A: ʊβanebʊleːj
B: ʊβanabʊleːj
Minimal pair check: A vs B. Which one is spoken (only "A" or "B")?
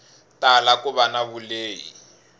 B